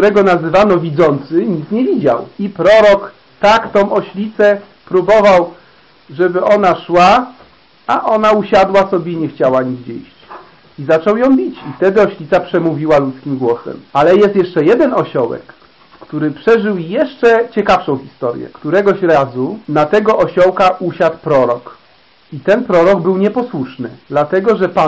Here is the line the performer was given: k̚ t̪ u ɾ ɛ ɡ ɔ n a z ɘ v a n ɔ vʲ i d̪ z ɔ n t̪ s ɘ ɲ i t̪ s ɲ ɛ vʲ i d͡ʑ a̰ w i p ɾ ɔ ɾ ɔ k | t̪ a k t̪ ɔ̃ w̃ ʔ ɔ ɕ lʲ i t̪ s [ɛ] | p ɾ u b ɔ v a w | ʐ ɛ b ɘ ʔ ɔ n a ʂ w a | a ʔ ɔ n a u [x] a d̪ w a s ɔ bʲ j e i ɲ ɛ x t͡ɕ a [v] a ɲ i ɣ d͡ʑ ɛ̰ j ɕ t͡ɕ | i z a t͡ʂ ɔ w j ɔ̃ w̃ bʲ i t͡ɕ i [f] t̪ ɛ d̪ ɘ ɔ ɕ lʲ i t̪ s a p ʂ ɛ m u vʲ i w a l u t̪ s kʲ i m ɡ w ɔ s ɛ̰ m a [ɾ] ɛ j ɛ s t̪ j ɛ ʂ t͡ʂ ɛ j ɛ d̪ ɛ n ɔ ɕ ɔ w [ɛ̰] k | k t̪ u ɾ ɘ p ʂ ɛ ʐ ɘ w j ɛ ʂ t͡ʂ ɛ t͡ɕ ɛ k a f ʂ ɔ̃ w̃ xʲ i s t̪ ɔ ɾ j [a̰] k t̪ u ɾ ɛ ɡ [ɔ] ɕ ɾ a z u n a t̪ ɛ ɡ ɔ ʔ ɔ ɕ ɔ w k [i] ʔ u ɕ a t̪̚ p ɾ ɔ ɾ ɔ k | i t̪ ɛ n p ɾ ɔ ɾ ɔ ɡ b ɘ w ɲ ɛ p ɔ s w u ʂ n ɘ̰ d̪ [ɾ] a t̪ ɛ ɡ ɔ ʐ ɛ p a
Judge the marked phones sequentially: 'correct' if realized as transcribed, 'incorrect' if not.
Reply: correct, incorrect: ɕ, incorrect: w, correct, incorrect: l, correct, incorrect: ɛ̰, correct, incorrect: a, incorrect: l

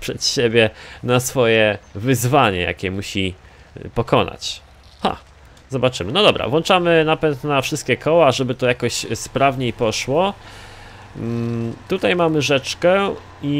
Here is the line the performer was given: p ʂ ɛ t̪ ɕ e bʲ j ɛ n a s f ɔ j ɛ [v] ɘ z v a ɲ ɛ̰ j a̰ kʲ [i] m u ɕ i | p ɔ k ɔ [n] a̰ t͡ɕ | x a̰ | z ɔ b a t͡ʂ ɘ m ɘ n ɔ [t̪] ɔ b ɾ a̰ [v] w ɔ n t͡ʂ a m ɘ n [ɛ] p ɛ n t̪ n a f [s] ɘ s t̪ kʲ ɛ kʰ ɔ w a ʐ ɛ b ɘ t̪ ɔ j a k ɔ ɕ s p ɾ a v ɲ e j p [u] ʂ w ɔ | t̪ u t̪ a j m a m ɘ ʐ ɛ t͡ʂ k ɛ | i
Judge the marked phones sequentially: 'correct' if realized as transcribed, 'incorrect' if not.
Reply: correct, incorrect: ɛ, correct, incorrect: d̪, correct, incorrect: a, incorrect: ʂ, incorrect: ɔ

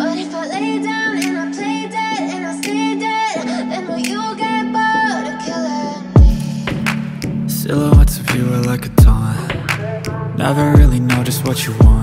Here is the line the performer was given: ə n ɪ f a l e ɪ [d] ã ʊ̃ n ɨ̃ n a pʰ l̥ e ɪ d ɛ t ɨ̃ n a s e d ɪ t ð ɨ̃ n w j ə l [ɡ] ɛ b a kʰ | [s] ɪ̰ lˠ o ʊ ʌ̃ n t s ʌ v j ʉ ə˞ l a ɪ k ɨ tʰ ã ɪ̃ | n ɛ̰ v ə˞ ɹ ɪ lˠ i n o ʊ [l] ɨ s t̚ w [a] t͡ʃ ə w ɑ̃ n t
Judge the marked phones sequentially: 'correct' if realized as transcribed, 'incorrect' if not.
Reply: correct, correct, correct, incorrect: ɾ, incorrect: ʌ

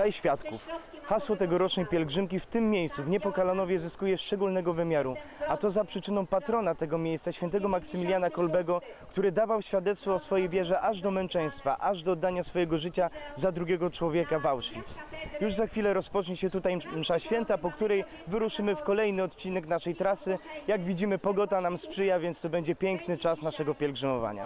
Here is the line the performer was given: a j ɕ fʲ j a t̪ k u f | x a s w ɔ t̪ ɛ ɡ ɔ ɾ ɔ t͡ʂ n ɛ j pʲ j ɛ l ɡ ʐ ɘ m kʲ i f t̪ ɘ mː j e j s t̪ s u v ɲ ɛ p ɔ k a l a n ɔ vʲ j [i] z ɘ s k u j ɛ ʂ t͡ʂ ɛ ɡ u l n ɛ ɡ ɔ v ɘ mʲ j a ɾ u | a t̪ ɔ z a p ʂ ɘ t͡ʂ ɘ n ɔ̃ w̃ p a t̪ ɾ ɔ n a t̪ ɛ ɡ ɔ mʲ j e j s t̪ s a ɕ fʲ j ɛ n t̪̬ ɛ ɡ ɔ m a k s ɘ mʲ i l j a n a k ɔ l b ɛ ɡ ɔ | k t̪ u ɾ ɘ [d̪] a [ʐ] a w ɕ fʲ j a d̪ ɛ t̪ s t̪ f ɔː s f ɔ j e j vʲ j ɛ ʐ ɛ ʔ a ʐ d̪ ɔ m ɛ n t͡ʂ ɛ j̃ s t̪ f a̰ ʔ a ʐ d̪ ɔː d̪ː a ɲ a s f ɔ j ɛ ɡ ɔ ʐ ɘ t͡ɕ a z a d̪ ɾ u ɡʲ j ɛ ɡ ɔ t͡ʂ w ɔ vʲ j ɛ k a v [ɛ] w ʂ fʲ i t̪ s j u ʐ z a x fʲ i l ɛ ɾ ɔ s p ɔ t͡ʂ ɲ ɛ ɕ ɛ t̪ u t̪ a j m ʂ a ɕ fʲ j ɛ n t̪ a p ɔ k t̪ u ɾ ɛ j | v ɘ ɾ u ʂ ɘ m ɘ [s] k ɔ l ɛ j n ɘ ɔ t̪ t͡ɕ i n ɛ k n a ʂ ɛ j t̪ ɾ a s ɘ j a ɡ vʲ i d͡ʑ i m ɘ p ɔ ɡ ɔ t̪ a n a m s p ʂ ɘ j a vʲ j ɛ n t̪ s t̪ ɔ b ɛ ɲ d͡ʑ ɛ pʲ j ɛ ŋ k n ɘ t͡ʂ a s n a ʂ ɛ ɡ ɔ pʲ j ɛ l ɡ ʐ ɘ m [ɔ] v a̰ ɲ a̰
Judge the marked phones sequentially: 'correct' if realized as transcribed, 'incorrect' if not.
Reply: incorrect: ɛ, correct, incorrect: v, incorrect: a, incorrect: f, correct

